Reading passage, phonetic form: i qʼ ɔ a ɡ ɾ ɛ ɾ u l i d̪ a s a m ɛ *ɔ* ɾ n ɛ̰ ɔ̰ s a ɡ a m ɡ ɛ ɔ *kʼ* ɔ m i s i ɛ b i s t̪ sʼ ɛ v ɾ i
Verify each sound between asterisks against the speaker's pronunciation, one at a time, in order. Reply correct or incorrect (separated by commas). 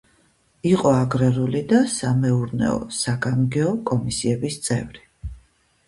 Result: incorrect, correct